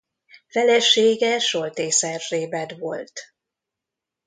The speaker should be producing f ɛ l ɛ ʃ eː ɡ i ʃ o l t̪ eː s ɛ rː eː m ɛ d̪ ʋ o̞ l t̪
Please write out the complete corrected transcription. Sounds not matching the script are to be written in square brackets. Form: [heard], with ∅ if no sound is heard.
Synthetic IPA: f ɛ l ɛ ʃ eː ɡ [ɛ] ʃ o l t̪ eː s ɛ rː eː [b] ɛ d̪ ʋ o̞ l t̪